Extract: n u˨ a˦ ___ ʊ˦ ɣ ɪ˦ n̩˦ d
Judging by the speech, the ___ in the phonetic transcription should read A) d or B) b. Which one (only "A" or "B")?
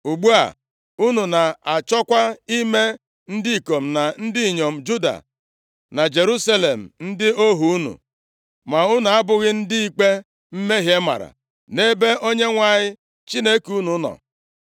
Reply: B